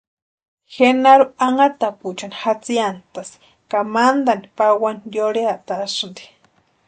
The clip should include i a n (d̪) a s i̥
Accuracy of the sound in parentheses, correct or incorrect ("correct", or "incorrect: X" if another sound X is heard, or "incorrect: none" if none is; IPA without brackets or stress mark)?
incorrect: t̪